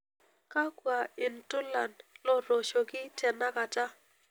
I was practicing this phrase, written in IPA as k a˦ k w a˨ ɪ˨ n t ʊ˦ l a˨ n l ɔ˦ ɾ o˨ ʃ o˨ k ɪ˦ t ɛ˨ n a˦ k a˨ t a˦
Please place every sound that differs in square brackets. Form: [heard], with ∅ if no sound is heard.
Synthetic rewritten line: k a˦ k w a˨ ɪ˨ n t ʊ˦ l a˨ n l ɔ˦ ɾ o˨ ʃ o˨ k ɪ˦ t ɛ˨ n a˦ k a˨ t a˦